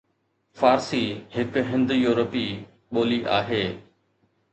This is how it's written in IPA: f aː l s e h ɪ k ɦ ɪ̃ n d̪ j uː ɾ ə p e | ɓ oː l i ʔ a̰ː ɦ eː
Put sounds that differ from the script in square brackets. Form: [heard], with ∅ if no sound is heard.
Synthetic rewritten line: f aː [ɾ] s [i] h ɪ k ɦ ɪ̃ n d̪ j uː ɾ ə p [i] | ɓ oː l i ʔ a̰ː ɦ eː